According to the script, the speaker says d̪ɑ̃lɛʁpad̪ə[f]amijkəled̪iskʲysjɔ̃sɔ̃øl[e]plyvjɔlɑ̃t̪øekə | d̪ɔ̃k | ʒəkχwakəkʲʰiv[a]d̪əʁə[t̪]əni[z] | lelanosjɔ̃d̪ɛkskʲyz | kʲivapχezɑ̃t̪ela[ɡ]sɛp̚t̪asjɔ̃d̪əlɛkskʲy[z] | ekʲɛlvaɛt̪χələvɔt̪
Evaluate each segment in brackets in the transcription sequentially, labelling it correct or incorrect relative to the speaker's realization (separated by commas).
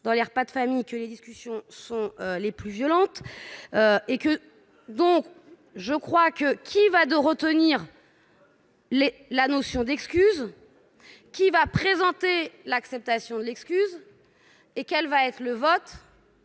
correct, correct, correct, correct, incorrect, incorrect, correct